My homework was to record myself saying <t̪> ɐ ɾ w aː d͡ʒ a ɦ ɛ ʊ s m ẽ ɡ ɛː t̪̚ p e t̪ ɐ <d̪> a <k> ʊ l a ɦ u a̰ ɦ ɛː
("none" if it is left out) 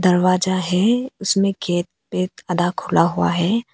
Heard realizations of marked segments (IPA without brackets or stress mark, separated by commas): d̪, d̪, kʰ